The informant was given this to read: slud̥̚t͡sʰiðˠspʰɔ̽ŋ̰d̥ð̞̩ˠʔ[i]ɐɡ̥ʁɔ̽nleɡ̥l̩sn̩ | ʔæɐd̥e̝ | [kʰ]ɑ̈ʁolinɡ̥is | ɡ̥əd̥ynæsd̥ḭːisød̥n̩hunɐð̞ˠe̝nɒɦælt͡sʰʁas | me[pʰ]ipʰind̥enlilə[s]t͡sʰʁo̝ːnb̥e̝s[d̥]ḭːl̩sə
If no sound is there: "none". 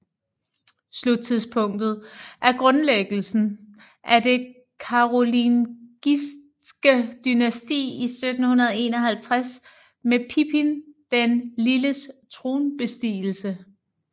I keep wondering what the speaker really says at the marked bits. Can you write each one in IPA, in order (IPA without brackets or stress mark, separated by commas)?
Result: æ, kʰ, pʰ, s, d̥